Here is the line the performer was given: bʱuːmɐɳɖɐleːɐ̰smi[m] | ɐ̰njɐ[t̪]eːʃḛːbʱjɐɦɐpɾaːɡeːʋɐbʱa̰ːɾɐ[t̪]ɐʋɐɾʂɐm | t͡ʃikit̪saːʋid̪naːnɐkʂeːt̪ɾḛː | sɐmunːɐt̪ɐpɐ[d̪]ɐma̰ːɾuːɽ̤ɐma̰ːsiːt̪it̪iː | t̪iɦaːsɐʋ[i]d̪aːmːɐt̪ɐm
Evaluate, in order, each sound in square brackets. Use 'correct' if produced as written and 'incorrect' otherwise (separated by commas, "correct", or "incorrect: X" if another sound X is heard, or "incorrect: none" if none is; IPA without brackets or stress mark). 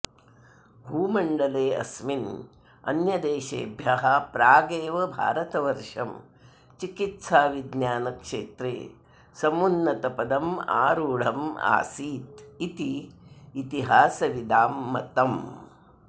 incorrect: n, incorrect: d̪, correct, correct, correct